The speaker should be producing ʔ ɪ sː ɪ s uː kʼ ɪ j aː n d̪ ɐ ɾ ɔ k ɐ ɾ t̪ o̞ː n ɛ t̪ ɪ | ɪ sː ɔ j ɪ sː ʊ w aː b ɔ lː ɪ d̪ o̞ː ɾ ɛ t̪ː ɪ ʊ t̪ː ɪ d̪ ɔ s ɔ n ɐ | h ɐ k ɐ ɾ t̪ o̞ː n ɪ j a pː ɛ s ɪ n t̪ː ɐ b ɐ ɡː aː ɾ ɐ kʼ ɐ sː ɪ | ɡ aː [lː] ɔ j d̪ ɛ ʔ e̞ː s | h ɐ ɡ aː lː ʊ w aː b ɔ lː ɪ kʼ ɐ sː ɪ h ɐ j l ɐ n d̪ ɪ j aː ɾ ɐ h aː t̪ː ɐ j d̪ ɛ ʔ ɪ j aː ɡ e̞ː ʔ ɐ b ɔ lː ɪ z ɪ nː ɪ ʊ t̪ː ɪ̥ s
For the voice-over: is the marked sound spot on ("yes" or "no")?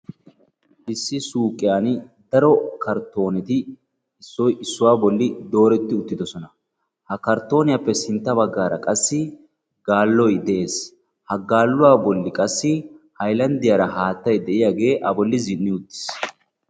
yes